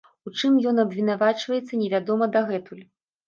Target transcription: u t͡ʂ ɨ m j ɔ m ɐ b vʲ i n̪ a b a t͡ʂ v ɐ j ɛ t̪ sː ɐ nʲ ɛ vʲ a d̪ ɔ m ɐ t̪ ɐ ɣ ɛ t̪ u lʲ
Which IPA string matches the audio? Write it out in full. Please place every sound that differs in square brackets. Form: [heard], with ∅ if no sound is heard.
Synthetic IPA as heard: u t͡ʂ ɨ m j ɔ [n] ɐ b vʲ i n̪ a [v] a t͡ʂ v ɐ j ɛ t̪ sː ɐ nʲ ɛ vʲ a d̪ ɔ m ɐ [d̪] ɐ ɣ ɛ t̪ u lʲ